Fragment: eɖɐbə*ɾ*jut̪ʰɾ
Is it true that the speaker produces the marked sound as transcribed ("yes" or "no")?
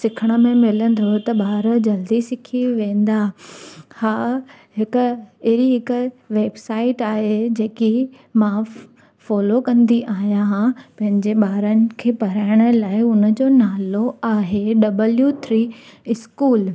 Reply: no